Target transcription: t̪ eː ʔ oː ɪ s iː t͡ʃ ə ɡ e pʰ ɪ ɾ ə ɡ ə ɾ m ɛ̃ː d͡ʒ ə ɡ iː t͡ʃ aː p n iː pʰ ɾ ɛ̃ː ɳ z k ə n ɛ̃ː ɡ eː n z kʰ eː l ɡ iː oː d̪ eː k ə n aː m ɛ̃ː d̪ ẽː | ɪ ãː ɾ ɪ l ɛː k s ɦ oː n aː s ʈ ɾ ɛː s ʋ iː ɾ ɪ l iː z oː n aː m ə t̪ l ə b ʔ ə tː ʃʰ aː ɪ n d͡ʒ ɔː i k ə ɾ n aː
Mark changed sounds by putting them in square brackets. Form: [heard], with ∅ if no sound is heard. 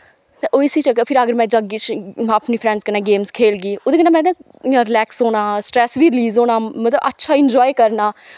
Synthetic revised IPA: t̪ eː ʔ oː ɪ s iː t͡ʃ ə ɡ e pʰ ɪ ɾ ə ɡ ə ɾ m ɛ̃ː d͡ʒ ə ɡ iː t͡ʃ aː p n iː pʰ ɾ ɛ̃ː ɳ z k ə n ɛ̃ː ɡ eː [m] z kʰ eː l ɡ iː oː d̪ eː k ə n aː m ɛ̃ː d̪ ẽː | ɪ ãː ɾ ɪ l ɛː k s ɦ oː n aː s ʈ ɾ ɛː s ʋ iː ɾ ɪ l iː z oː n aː m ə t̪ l ə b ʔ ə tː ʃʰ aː ɪ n d͡ʒ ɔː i k ə ɾ n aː